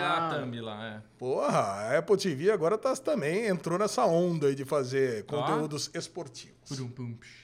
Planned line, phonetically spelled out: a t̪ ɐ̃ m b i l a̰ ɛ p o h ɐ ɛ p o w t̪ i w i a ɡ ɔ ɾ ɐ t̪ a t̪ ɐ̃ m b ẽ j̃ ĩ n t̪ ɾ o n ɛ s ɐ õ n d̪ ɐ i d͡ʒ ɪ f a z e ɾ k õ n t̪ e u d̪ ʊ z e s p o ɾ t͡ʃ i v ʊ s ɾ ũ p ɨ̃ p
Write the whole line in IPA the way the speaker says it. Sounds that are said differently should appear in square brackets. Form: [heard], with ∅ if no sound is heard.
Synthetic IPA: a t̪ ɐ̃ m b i l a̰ ɛ p o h ɐ ɛ p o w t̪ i [v] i a ɡ ɔ ɾ ɐ t̪ a t̪ ɐ̃ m b ẽ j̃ [ẽ] n t̪ ɾ o n ɛ s ɐ õ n d̪ ɐ i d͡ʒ ɪ f a z e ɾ k õ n t̪ e u d̪ ʊ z e s p o ɾ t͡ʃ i v ʊ s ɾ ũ p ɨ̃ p